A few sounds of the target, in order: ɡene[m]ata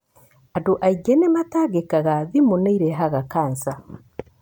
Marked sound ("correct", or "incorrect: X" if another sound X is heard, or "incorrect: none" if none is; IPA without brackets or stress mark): correct